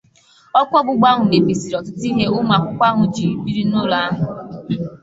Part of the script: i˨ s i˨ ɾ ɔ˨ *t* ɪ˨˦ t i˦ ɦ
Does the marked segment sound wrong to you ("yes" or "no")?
no